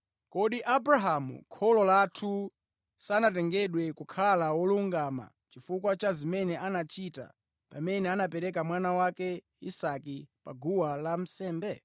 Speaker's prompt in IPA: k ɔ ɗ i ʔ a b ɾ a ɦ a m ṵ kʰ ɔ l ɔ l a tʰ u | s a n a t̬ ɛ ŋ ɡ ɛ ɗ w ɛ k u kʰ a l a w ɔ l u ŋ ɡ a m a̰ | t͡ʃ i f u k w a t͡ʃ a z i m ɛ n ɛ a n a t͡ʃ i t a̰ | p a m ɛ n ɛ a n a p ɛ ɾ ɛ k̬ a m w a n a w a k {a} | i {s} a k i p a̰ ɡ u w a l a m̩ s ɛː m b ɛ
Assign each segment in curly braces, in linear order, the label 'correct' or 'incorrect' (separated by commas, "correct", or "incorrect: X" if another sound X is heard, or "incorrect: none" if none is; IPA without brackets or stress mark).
incorrect: ɛ, correct